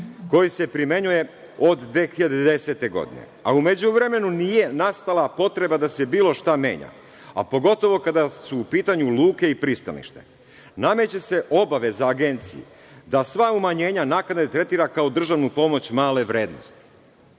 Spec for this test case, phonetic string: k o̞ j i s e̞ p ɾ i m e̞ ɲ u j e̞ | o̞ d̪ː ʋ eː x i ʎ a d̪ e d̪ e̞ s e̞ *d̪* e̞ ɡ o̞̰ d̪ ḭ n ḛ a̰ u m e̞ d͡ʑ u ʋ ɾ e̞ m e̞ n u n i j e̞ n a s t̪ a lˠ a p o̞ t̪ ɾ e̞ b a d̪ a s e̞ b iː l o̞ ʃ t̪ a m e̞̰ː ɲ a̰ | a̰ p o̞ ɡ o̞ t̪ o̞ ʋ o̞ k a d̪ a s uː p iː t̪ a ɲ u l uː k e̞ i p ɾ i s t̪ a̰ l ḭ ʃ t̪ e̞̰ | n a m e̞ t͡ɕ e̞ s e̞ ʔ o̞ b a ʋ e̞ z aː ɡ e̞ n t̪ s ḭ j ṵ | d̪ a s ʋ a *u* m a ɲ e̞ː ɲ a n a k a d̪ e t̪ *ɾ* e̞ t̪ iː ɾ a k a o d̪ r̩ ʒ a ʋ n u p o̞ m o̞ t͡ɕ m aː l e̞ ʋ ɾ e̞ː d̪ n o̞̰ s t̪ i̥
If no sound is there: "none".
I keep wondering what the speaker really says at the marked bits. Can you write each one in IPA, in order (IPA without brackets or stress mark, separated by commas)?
t̪, u, ɾ